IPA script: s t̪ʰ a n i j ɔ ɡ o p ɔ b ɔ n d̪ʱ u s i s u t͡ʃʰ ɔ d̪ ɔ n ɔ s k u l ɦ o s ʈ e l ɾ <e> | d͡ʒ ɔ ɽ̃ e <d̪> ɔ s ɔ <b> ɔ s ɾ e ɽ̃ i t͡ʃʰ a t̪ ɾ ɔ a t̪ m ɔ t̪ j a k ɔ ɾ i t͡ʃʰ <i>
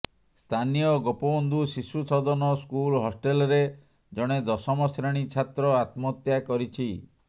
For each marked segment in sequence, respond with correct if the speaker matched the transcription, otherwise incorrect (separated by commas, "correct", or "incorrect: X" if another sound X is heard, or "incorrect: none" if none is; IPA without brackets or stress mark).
correct, correct, incorrect: m, correct